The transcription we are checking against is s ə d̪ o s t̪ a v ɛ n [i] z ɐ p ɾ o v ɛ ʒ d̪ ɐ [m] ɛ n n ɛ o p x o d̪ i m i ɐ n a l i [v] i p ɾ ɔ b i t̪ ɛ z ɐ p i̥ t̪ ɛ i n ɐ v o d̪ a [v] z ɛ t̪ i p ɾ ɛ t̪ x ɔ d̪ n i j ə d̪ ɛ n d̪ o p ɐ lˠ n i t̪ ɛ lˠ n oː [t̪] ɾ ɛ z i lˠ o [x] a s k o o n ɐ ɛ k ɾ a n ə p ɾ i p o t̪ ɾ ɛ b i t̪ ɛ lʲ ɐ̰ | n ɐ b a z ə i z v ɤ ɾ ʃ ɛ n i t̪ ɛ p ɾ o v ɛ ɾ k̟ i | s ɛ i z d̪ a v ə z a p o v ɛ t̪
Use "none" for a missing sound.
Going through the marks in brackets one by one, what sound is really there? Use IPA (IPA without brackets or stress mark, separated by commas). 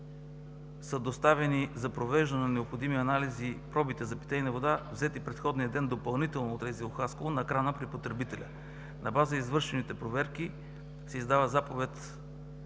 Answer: i, n, z, v, t̪, x